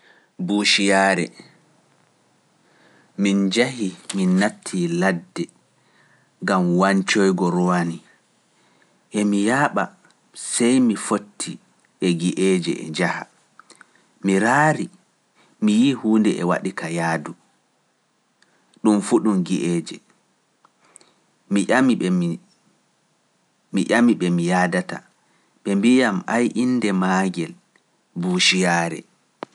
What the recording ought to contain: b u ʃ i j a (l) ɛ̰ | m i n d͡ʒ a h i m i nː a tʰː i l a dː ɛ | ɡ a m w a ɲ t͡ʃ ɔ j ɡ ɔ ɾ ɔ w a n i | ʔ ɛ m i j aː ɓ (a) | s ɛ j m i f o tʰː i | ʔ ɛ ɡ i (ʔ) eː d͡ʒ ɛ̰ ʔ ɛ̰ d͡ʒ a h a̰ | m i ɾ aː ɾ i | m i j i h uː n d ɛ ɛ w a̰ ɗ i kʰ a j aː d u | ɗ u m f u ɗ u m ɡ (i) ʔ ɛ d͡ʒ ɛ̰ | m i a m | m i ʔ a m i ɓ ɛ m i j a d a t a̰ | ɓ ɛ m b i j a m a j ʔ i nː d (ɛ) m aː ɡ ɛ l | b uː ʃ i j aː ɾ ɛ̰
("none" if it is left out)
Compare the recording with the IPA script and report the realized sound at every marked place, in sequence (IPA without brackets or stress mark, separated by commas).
ɾ, a, ʔ, i, ɛ